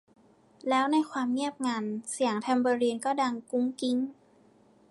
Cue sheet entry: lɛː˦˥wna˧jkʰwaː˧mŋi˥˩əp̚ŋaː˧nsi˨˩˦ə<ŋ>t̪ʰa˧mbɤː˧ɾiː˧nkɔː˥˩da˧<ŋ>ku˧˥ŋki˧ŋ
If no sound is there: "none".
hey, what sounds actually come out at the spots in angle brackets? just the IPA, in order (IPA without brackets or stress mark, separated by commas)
ŋ, ŋ